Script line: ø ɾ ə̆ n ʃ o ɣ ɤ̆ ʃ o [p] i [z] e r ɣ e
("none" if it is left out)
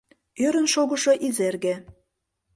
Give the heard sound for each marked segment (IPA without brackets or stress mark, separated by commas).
ʔ, z